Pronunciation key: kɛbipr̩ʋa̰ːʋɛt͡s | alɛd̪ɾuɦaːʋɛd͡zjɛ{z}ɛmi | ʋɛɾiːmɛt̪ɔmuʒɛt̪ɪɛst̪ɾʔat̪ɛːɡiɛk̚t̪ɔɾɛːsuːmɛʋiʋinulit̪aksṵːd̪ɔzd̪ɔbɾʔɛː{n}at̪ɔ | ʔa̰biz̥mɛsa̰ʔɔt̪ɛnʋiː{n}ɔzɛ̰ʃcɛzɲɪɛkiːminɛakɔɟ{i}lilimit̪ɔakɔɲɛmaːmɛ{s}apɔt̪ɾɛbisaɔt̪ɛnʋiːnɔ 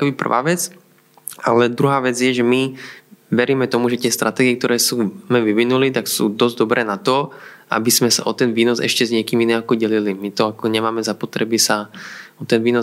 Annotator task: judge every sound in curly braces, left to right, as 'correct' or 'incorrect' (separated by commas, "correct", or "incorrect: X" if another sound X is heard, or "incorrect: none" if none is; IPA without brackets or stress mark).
incorrect: ʒ, correct, correct, incorrect: ɛ, incorrect: z